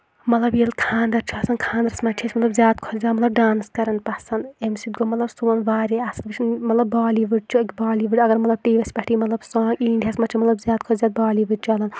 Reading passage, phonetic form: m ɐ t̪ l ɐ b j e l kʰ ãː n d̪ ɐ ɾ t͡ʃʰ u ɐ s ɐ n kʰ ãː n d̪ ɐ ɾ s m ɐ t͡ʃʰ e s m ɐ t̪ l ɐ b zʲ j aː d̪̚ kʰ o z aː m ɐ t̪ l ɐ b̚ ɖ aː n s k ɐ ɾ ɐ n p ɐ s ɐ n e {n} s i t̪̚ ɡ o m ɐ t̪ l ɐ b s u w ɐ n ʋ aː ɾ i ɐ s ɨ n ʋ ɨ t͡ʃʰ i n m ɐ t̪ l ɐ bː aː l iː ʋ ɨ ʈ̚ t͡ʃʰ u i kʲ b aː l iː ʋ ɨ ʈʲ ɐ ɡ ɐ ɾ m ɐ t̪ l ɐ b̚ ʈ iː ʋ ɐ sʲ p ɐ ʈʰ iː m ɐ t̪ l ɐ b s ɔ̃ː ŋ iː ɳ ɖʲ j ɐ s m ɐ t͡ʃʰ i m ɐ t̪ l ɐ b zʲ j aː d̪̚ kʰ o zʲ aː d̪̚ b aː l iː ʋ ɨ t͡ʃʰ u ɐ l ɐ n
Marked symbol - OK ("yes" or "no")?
no